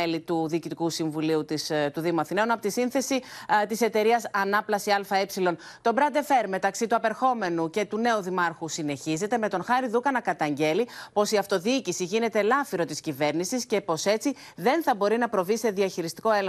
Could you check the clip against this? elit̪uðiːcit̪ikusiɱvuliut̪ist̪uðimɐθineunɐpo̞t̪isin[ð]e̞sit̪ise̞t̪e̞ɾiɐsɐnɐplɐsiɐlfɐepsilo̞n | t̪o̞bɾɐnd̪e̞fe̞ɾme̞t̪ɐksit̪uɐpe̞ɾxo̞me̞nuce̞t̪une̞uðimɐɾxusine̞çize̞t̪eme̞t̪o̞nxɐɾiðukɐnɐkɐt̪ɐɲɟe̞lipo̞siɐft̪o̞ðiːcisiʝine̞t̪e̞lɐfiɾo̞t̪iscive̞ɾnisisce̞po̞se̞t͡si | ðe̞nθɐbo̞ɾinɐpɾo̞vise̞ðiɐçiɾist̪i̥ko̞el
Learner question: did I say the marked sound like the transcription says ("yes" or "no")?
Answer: no